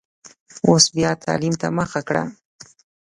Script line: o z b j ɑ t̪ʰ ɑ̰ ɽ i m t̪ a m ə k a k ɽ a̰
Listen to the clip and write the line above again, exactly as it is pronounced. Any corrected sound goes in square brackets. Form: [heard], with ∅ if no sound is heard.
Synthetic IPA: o [s] b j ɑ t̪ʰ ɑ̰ [l] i m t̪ a m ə [x] a k ɽ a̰